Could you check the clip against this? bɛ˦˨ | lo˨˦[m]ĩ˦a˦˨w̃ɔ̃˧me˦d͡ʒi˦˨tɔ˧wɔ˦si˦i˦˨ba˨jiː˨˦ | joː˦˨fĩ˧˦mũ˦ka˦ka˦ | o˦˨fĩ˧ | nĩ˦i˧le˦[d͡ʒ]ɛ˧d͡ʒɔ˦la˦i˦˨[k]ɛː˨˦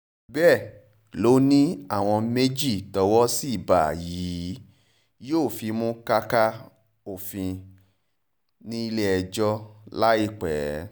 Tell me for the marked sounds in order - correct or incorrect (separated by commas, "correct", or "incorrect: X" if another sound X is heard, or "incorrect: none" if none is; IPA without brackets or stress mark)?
incorrect: n, incorrect: none, incorrect: k͡p